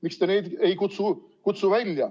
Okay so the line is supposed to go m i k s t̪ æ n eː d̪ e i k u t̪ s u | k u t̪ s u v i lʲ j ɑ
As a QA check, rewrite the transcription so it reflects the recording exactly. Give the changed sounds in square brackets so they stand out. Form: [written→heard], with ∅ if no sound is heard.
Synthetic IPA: m i k s t̪ [æ→e] n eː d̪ e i k u t̪ s u | k u t̪ s u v [i→æ] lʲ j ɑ